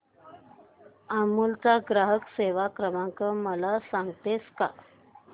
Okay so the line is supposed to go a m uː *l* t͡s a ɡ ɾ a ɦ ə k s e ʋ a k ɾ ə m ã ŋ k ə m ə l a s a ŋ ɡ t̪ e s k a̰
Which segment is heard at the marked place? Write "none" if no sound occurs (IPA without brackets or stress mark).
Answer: l